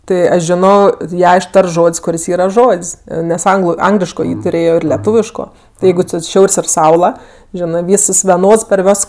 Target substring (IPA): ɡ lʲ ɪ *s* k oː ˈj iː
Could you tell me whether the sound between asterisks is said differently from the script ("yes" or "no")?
yes